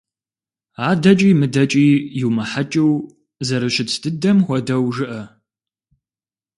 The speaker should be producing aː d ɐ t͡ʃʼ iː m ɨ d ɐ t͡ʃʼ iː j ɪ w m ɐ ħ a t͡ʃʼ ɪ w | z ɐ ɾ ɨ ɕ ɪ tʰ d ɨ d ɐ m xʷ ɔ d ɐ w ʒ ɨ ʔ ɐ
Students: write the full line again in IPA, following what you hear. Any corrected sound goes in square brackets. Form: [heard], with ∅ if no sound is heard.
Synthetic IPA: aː d ɐ t͡ʃʼ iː m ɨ d ɐ t͡ʃʼ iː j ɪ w m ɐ ħ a t͡ʃʼ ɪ w | z ɐ ɾ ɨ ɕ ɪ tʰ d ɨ d ɐ m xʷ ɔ d ɐ w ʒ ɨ ʔ ɐ